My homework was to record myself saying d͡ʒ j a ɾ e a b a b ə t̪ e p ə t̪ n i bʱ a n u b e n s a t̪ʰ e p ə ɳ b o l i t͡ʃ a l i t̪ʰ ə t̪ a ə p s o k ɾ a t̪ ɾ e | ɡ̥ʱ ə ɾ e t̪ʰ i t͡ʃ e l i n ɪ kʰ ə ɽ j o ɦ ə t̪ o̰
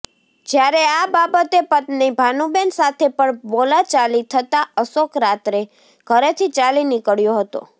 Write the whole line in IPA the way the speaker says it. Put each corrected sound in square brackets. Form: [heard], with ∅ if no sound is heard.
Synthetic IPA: d͡ʒ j a ɾ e a b a b ə t̪ e p ə t̪ n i bʱ a n u b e n s a t̪ʰ e p ə ɳ b o l [a] t͡ʃ a l i t̪ʰ ə t̪ a ə [∅] s o k ɾ a t̪ ɾ e | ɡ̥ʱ ə ɾ e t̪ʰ i t͡ʃ [a] l i n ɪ [k] ə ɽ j o ɦ ə t̪ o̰